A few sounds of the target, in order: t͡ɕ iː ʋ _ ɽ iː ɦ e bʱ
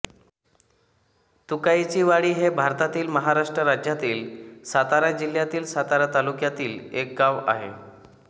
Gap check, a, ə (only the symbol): a